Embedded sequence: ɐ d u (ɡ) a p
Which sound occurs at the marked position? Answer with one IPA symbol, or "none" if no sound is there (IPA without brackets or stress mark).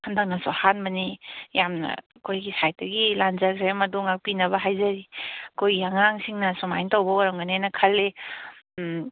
ŋ